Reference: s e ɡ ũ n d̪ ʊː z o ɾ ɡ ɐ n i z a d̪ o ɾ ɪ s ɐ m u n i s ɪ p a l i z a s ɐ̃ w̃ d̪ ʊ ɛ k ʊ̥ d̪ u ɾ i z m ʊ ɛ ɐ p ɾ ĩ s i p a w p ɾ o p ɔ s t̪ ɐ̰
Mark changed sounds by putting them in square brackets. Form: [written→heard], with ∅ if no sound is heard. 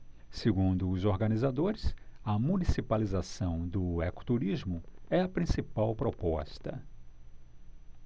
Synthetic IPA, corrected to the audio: s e ɡ ũ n d̪ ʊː z o ɾ ɡ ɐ n i z a d̪ o ɾ ɪ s ɐ m u n i s [ɪ→i] p a l i z a s ɐ̃ w̃ d̪ ʊ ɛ k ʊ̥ [d̪→t̪] u ɾ i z m ʊ ɛ ɐ p ɾ ĩ s i p a w p ɾ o p ɔ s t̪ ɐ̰